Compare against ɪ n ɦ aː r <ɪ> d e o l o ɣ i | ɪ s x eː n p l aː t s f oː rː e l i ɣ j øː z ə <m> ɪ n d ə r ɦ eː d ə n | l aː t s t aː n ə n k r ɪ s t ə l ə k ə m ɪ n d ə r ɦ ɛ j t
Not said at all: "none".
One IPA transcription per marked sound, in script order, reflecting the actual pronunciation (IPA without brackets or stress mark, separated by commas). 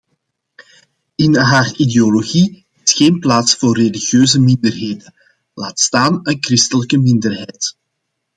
i, m